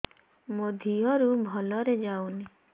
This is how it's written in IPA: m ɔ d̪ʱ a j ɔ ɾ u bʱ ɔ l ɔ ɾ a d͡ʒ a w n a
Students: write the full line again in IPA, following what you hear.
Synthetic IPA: m o d̪ʱ i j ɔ ɾ u bʱ ɔ l ɔ ɾ e d͡ʒ a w n i